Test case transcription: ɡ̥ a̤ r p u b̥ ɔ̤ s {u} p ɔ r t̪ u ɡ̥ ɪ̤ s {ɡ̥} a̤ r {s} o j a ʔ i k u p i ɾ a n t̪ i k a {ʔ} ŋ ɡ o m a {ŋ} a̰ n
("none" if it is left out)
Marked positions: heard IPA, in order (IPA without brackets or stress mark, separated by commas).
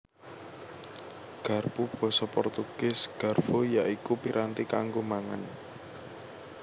ɔ, ɡ̥, f, none, ŋ